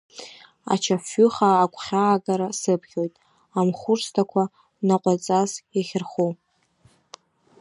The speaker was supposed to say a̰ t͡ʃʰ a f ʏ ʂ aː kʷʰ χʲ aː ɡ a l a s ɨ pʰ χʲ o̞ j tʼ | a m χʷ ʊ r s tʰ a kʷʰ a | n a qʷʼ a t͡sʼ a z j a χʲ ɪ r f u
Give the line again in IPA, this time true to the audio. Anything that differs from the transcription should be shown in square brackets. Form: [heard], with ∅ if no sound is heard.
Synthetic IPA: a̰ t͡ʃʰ a f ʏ [χ] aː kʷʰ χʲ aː ɡ a [ɾ] a s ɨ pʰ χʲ o̞ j tʼ | a m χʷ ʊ r s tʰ a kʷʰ a | n a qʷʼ a t͡sʼ a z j a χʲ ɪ r [χ] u